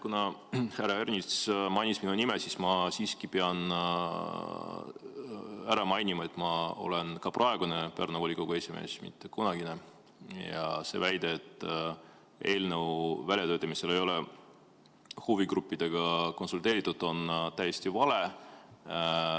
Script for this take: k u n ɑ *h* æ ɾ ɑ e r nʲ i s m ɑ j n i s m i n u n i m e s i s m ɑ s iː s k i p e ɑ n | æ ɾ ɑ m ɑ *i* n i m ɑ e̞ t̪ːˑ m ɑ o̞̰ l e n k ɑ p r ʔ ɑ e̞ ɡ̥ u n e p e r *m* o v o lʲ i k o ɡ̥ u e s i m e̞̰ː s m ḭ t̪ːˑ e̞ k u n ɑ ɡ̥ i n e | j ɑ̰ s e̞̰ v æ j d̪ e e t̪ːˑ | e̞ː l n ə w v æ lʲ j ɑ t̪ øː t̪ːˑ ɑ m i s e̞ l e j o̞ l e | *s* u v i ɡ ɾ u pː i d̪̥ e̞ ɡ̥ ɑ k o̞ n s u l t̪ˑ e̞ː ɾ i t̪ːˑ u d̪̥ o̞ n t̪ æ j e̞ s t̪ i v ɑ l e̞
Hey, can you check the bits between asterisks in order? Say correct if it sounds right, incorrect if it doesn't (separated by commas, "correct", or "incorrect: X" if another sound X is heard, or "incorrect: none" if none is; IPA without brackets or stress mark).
correct, incorrect: j, incorrect: n, incorrect: h